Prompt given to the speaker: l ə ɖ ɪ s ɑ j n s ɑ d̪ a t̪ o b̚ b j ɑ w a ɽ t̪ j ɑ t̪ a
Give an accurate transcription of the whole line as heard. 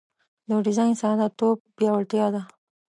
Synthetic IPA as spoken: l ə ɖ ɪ z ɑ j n s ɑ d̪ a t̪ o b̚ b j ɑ w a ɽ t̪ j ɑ d̪ a